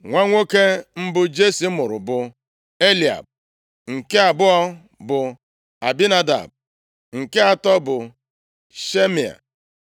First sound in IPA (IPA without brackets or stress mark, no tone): ŋʷ